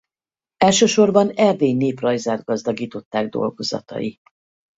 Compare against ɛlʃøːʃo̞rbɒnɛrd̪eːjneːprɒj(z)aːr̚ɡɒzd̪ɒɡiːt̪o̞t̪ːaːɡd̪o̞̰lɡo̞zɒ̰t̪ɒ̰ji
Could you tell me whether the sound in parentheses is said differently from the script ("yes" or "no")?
no